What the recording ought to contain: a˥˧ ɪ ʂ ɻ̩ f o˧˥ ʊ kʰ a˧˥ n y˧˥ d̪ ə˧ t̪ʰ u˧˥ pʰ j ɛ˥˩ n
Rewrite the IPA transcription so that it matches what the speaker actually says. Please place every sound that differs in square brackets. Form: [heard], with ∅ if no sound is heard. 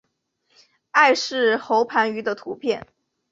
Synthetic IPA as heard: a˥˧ ɪ ʂ ɻ̩ [x] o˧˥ ʊ [pʰ] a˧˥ n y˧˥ d̪ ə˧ t̪ʰ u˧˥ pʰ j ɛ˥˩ n